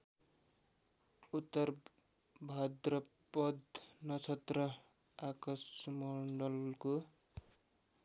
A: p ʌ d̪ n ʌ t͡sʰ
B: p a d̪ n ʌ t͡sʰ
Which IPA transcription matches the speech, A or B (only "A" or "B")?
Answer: A